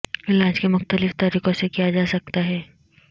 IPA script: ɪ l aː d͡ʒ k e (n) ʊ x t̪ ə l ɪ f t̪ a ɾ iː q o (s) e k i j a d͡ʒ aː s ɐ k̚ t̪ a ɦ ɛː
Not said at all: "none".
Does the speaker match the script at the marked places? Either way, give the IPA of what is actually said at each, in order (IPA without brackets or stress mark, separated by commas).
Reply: m, s